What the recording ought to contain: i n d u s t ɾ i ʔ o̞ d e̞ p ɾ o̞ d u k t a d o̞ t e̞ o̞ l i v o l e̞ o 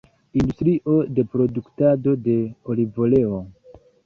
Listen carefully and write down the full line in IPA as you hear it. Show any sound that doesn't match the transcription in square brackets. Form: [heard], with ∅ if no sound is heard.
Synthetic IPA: i n d u s t ɾ i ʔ o̞ d e̞ p ɾ o̞ d u k t a d o̞ [d] e̞ o̞ l i v o l e̞ o